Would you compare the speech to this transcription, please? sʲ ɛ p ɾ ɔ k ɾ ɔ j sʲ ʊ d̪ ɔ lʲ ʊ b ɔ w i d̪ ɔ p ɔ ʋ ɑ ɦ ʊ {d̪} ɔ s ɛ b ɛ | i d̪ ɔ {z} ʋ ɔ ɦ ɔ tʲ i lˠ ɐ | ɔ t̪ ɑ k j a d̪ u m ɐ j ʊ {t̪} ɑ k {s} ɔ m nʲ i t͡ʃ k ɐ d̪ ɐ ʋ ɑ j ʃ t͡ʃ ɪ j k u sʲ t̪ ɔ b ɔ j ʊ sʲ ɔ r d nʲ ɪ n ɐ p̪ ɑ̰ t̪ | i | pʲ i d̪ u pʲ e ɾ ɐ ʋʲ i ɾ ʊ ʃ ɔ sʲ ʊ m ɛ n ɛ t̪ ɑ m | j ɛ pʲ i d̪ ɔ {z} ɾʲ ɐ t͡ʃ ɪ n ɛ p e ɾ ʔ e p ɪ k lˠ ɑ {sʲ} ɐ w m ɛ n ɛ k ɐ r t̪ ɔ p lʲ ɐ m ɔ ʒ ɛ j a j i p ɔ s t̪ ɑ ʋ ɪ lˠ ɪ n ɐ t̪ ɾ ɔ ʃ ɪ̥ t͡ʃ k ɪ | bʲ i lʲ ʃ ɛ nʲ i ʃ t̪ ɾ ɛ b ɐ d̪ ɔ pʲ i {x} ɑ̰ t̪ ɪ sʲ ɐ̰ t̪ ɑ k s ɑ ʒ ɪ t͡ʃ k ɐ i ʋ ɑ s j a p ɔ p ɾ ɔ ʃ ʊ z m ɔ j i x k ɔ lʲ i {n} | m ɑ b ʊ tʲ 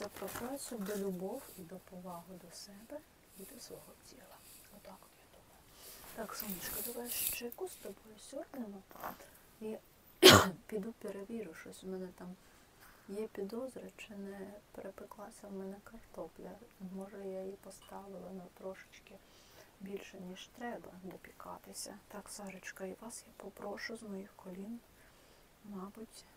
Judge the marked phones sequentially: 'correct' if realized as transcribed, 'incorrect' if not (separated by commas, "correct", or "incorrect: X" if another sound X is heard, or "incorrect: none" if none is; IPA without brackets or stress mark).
correct, incorrect: s, correct, correct, correct, correct, incorrect: k, correct